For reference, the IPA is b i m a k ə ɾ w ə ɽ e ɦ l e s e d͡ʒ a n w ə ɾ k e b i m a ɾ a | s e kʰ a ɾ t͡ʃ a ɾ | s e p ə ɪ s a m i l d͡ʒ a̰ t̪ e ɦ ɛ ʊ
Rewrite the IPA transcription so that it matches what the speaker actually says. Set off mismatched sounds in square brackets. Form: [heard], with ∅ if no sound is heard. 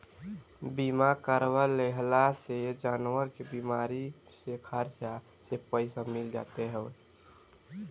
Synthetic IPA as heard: b i m a k ə ɾ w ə [l] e ɦ l [a] s e d͡ʒ a n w ə ɾ k e b i m a ɾ [i] | s e kʰ a ɾ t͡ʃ a [∅] | s e p ə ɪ s a m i l d͡ʒ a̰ t̪ e ɦ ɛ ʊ